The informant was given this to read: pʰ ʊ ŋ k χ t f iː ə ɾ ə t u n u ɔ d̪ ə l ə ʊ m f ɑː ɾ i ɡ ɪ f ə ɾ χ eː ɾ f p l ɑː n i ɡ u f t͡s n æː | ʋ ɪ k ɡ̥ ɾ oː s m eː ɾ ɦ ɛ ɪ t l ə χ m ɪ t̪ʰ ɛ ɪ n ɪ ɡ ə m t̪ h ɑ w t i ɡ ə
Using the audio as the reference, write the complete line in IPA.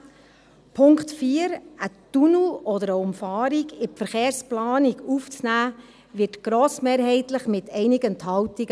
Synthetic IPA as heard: pʰ ʊ ŋ k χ t f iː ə ɾ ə t u n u ɔ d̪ ə ɾ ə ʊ m f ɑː ɾ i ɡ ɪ f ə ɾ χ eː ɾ s p l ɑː n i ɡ u f t͡s n æː | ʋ ɪ t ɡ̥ ɾ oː s m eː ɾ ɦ ɛ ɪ t l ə χ m ɪ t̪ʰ ɛ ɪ n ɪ ɡ ə n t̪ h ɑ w t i ɡ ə